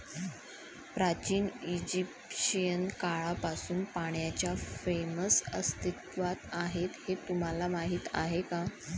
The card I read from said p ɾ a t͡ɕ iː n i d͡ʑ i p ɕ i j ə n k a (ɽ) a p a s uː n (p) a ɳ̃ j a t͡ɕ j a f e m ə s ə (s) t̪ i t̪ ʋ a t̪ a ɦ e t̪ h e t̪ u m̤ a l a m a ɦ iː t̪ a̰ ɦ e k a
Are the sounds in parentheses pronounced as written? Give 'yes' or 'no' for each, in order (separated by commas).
no, yes, yes